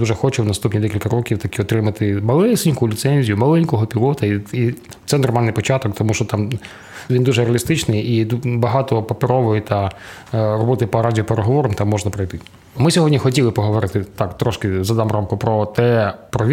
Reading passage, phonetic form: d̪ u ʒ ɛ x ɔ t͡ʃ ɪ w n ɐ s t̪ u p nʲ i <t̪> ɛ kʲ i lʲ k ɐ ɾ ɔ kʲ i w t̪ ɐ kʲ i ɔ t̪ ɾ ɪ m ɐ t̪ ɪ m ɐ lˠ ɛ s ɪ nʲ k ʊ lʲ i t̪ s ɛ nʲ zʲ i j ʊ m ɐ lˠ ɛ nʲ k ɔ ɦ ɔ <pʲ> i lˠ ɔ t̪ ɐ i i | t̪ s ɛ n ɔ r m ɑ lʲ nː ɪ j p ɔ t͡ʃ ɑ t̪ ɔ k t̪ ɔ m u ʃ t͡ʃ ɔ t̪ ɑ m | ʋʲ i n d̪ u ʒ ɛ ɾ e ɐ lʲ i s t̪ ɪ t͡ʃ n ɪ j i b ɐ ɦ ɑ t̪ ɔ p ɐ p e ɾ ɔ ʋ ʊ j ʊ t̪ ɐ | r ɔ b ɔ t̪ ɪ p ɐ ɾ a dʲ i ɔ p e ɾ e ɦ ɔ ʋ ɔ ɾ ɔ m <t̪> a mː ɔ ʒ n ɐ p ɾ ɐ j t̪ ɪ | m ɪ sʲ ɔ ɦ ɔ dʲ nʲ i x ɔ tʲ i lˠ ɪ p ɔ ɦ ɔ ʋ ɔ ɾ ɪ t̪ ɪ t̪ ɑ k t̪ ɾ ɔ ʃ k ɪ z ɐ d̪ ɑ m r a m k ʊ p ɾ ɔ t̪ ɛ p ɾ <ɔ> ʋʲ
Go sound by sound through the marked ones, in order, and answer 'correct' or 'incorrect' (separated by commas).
incorrect, correct, correct, correct